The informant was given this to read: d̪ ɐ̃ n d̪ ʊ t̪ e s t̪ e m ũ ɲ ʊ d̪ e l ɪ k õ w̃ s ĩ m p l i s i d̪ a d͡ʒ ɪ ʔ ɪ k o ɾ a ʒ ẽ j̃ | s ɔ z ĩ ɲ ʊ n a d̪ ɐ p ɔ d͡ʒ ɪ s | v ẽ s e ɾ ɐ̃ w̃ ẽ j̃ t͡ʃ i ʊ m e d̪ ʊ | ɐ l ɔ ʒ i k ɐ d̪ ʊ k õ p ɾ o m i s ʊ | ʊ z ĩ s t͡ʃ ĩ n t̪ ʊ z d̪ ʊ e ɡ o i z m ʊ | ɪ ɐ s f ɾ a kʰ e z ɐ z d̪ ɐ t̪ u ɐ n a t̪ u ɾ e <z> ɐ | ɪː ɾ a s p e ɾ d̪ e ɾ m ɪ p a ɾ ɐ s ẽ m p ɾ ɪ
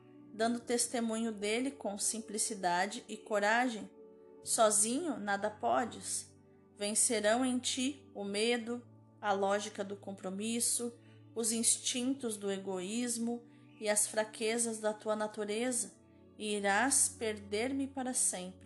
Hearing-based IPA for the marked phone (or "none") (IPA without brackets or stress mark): z